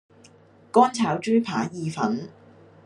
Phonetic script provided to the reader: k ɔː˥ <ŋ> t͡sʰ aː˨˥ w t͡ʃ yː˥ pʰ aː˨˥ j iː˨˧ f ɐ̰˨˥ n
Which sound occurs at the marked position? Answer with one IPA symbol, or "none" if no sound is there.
n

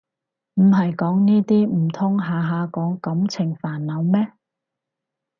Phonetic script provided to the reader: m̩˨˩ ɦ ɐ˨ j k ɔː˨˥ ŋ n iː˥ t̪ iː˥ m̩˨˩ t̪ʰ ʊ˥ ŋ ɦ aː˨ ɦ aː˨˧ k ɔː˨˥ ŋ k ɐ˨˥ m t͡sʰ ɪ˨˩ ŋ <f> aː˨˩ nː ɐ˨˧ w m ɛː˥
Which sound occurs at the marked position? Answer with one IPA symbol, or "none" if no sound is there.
f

